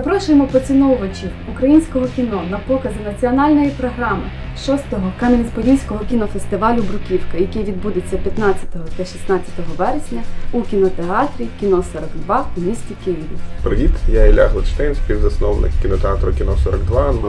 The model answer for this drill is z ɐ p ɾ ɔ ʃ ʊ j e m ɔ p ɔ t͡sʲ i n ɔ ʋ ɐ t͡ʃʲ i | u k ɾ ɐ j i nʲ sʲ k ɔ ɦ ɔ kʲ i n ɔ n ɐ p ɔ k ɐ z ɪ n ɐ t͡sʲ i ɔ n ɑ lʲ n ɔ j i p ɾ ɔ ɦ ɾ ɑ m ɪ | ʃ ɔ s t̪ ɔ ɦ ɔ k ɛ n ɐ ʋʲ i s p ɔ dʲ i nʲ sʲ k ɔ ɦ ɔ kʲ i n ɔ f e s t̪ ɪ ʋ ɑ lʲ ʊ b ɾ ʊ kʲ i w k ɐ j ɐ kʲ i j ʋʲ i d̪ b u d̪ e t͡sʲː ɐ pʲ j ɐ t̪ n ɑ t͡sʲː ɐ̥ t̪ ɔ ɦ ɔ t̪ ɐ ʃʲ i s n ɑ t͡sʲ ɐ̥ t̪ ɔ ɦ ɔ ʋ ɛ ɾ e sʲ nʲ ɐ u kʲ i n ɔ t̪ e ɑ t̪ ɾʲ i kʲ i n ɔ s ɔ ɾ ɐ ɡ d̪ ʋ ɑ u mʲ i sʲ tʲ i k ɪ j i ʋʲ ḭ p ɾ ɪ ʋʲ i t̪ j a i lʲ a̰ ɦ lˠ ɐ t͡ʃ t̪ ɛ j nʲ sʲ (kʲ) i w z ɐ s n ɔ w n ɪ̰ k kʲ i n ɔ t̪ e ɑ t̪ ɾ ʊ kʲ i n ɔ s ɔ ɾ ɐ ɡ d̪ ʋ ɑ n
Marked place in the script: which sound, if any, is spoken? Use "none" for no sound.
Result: pʲ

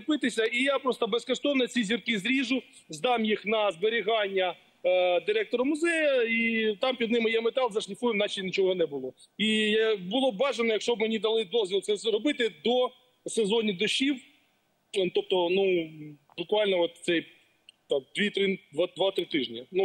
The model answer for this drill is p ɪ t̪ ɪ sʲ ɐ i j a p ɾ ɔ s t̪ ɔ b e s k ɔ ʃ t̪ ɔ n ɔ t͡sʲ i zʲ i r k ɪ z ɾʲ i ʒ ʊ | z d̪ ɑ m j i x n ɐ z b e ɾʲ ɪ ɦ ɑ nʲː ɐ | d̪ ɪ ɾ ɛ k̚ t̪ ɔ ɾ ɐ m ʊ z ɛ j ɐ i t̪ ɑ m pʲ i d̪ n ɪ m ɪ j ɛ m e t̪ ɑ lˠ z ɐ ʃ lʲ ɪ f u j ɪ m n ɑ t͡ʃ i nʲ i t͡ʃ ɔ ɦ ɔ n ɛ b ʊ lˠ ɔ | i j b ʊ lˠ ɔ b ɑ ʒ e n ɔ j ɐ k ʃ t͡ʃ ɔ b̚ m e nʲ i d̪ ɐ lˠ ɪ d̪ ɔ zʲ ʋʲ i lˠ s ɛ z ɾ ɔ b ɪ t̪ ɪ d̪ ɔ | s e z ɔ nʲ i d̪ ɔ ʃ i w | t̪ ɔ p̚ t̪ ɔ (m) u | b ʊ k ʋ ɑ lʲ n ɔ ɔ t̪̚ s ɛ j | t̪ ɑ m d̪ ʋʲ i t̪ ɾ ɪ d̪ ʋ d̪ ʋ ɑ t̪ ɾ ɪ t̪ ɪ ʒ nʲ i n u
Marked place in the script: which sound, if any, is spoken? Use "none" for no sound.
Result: n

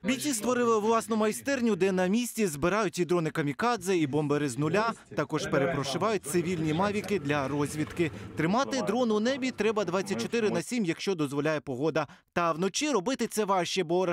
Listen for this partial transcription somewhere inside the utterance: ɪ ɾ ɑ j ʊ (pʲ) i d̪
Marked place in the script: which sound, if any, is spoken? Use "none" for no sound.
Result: tʲ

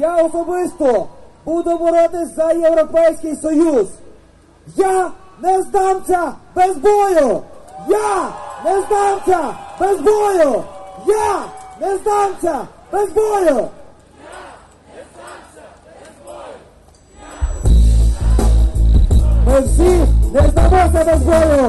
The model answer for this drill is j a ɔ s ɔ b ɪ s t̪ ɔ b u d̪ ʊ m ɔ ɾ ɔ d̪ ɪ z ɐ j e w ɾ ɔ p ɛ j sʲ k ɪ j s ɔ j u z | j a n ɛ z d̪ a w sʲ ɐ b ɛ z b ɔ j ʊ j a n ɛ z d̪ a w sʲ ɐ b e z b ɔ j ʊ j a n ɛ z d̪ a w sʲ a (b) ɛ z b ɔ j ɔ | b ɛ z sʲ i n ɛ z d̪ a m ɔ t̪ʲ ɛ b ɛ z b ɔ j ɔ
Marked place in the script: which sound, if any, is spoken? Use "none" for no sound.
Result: b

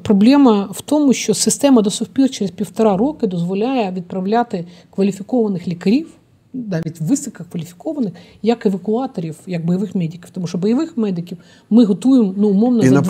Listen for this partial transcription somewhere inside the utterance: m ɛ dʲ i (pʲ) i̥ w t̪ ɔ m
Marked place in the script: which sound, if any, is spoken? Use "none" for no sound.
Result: kʲ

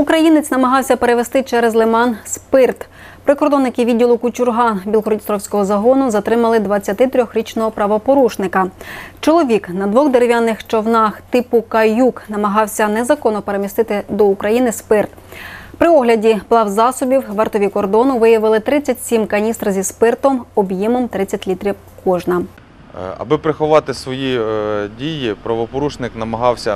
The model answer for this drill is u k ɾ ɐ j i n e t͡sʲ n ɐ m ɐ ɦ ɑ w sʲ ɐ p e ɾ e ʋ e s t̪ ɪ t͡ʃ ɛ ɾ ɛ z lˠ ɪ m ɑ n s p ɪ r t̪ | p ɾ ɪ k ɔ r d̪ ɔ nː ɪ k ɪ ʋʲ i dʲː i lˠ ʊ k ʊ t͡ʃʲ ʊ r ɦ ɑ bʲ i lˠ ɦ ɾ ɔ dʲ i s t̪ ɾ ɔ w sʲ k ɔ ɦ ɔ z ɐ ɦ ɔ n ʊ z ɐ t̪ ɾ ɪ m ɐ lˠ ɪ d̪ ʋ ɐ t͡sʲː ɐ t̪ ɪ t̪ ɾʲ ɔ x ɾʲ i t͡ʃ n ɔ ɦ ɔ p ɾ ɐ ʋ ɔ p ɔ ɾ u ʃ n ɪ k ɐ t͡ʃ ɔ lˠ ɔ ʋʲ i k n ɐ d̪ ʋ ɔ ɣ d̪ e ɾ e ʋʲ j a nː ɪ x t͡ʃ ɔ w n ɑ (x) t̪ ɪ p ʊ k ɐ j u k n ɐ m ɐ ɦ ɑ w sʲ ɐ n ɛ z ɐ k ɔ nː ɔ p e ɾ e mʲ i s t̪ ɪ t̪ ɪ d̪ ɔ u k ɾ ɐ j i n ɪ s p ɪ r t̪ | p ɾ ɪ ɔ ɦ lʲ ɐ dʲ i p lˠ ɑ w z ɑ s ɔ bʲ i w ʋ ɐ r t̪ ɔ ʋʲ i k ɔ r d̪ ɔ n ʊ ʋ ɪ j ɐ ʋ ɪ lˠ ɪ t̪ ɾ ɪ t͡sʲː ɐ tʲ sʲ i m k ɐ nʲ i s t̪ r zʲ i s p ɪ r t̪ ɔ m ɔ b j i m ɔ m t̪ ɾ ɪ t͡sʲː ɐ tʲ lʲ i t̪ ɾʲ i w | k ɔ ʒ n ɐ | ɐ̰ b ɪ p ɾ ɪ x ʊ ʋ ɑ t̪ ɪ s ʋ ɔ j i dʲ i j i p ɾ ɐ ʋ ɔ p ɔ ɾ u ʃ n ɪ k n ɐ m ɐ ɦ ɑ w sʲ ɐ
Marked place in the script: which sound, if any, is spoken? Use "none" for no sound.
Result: x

